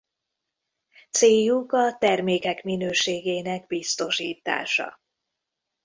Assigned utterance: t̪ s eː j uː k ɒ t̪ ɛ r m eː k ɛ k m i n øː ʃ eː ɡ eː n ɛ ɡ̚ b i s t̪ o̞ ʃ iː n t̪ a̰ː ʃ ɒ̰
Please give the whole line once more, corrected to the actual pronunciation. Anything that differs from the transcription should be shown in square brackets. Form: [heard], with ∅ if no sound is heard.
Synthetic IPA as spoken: t̪ s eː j [u] k ɒ t̪ ɛ r m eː k ɛ k m i n øː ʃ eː ɡ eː n ɛ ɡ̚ b i s t̪ o̞ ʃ iː [∅] t̪ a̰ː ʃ ɒ̰